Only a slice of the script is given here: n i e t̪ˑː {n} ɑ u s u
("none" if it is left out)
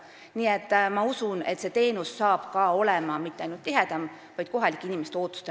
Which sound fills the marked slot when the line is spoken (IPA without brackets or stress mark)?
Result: m